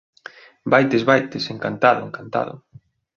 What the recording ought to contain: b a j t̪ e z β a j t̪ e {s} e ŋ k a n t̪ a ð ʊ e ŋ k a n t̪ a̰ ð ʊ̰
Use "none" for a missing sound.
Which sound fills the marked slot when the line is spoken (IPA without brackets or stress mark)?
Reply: s